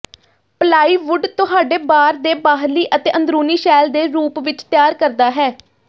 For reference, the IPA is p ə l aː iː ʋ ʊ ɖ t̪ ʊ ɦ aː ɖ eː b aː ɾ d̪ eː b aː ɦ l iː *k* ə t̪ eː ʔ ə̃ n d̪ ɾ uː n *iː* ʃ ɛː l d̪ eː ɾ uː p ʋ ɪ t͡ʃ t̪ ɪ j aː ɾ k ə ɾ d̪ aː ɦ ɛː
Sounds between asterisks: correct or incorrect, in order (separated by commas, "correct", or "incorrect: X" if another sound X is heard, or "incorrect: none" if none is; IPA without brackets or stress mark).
incorrect: ʔ, correct